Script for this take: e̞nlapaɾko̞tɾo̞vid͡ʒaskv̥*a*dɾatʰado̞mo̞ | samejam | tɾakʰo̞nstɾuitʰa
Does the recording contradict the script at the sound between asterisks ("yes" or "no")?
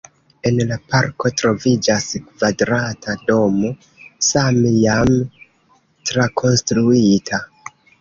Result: no